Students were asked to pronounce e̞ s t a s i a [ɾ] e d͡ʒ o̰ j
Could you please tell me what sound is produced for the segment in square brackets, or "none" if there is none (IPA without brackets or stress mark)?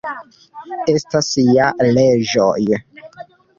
l